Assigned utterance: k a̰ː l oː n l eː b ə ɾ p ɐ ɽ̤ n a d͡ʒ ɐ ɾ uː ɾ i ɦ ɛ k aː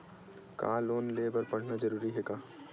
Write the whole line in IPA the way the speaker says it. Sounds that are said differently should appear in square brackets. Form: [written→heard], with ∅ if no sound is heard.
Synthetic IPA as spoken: k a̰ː l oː n l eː b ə ɾ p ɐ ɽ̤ n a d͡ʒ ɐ ɾ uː ɾ i ɦ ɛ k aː